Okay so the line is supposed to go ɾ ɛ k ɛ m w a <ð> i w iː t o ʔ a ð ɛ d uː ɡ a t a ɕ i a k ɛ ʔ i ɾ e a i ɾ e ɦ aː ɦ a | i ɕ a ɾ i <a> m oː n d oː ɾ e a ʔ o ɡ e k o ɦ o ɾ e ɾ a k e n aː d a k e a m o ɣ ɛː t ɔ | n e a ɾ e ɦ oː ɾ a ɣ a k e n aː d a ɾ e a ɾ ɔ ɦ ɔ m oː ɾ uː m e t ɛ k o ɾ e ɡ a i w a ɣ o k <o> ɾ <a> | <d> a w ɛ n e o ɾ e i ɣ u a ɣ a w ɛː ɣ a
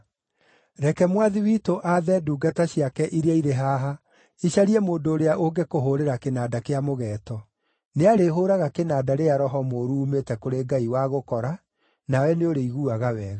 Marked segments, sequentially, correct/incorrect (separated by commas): correct, incorrect, incorrect, correct, incorrect